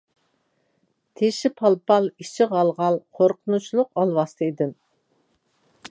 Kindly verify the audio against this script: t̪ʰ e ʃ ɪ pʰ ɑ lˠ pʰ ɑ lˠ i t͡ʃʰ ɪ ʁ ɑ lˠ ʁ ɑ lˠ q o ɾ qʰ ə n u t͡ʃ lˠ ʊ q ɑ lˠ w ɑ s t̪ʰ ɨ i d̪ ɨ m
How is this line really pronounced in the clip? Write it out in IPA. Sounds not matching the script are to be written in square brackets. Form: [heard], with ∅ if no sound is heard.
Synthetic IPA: t̪ʰ e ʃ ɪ pʰ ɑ lˠ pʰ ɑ lˠ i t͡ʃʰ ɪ ʁ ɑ lˠ ʁ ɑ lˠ [qʰ] o ɾ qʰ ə n u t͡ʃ lˠ ʊ q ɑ lˠ w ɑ s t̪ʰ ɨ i d̪ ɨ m

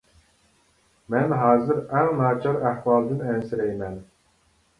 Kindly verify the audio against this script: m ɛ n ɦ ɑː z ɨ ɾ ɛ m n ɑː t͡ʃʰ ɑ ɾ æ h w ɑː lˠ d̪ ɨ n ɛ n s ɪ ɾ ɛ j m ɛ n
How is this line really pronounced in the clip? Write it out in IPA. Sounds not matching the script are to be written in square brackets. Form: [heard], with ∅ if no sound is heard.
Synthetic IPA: m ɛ n ɦ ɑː z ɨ ɾ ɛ [ŋ] n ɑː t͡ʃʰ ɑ ɾ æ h w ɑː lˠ d̪ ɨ n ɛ n s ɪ ɾ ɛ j m ɛ n

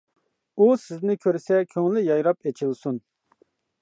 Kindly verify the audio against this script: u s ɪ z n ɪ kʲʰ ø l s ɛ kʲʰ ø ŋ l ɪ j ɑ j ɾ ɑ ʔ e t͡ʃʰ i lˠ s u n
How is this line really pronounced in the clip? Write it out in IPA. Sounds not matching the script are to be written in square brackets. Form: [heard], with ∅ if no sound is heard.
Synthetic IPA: u s ɪ z n ɪ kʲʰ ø [ɾ] s ɛ kʲʰ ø ŋ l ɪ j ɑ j ɾ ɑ [p] e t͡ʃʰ i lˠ s u n

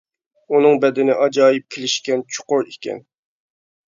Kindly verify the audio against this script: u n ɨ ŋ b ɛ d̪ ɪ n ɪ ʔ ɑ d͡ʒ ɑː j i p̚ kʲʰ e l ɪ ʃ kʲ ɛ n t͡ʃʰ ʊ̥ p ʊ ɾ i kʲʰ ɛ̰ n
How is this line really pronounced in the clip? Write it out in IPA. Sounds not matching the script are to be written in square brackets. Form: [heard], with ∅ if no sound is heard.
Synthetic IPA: u n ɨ ŋ b ɛ d̪ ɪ n ɪ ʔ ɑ d͡ʒ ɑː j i p̚ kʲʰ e l ɪ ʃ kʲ ɛ n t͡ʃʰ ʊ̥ [q] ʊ ɾ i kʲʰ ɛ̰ n

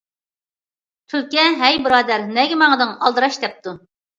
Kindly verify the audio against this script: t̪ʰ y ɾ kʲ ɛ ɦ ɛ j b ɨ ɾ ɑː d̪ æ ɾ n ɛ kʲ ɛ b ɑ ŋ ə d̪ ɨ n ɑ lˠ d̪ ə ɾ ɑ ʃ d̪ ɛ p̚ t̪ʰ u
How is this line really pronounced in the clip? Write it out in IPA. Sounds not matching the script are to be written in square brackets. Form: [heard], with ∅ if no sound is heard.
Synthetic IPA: t̪ʰ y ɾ kʲ ɛ ɦ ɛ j b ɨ ɾ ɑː d̪ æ ɾ n ɛ [ɡʲ] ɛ [m] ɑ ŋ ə d̪ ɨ [ŋ] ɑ lˠ d̪ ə ɾ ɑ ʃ d̪ ɛ p̚ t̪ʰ u

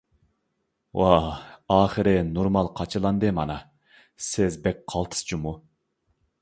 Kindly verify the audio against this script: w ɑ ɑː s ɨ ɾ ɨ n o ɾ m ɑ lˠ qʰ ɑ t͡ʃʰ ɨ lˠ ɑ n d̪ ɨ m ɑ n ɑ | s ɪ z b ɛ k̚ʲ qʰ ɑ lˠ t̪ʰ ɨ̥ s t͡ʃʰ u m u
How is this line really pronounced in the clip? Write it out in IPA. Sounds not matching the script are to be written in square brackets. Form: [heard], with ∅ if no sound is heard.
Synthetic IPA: w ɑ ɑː [χ] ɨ ɾ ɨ n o ɾ m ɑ lˠ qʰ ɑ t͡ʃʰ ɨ lˠ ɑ n d̪ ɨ m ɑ n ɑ | s ɪ z b ɛ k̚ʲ qʰ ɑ lˠ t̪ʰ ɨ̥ s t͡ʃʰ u m u

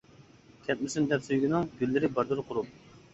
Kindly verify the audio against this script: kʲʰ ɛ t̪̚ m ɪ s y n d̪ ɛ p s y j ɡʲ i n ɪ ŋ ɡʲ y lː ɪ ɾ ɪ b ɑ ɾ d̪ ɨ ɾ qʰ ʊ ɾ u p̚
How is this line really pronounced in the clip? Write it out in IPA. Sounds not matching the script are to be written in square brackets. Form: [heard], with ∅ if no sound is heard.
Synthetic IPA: kʲʰ ɛ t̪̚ m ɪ s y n d̪ ɛ p s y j ɡʲ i n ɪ ŋ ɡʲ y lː ɪ ɾ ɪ b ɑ ɾ d̪ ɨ ɾ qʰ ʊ ɾ u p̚

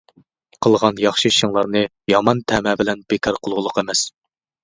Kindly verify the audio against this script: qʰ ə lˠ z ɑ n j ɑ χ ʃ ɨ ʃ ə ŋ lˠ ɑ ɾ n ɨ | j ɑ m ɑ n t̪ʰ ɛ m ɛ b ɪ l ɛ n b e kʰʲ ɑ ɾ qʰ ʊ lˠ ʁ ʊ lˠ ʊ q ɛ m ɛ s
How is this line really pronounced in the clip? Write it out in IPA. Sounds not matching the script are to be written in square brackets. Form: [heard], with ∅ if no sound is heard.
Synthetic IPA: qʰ ə lˠ [ʁ] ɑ n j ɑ χ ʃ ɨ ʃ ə ŋ lˠ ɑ ɾ n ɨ | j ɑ m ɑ n t̪ʰ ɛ m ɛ b ɪ l ɛ n b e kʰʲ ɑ ɾ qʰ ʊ lˠ ʁ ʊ lˠ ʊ q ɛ m ɛ s

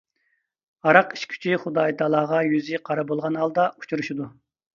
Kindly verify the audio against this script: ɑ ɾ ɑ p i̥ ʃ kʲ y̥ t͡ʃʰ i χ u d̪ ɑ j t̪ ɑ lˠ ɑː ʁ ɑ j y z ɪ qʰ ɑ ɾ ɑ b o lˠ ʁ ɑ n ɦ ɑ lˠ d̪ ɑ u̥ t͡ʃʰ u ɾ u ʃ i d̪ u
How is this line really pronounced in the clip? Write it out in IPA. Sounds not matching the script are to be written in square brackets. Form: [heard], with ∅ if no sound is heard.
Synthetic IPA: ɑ ɾ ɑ [q] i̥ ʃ [kʲʰ] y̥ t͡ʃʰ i χ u d̪ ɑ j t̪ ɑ lˠ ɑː ʁ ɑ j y z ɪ qʰ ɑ ɾ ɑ b o lˠ ʁ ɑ n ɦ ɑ lˠ d̪ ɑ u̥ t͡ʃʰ u ɾ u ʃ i d̪ u

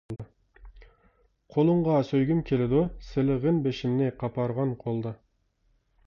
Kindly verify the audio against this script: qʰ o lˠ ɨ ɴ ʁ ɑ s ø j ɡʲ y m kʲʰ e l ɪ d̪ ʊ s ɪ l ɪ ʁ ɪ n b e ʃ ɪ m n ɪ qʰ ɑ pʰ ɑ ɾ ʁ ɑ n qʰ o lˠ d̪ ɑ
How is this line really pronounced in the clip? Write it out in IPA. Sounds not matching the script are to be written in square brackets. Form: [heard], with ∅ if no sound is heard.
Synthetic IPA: qʰ o lˠ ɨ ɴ ʁ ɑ s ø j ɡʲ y m kʲʰ e l ɪ d̪ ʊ s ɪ l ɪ ʁ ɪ n b e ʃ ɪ m n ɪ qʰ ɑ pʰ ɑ ɾ ʁ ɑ n qʰ o lˠ d̪ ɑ

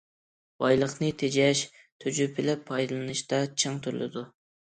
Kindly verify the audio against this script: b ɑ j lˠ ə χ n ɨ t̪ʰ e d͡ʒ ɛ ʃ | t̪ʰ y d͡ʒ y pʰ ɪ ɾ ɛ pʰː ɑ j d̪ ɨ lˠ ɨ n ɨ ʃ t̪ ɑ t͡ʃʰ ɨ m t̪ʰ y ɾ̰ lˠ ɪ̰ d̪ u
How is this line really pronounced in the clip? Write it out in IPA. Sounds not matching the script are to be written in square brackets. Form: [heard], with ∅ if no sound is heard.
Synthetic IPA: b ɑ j lˠ ə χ n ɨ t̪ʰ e d͡ʒ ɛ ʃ | t̪ʰ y d͡ʒ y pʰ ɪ [l] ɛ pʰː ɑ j d̪ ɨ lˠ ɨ n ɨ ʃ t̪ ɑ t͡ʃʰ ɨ [ŋ] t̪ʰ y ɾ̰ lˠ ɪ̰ d̪ u

